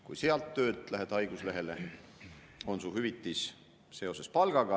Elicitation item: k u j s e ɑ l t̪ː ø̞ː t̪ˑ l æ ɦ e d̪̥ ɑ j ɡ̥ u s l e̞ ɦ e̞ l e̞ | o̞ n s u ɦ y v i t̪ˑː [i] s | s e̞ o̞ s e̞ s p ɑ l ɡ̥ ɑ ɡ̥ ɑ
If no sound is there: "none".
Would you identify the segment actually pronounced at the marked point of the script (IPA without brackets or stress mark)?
i